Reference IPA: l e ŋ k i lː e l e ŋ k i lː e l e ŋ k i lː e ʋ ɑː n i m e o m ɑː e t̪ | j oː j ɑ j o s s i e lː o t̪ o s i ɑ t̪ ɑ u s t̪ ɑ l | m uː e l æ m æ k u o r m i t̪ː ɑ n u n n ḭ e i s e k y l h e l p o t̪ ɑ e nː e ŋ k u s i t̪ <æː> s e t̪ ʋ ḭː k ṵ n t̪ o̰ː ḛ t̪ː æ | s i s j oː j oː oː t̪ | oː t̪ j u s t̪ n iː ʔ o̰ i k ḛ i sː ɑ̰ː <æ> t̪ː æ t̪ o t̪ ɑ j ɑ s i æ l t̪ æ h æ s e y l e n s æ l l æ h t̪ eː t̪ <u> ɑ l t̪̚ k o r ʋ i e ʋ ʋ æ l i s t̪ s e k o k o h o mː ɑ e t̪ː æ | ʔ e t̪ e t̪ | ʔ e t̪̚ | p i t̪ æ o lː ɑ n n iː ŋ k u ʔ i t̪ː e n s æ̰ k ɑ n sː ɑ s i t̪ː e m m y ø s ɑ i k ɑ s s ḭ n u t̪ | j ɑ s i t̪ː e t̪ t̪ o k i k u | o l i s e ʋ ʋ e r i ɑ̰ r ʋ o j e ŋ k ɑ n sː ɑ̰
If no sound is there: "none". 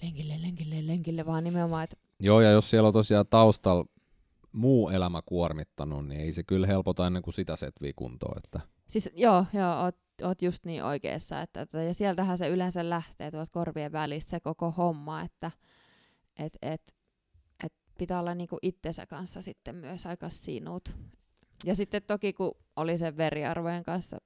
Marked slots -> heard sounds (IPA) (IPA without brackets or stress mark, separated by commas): æ, e, u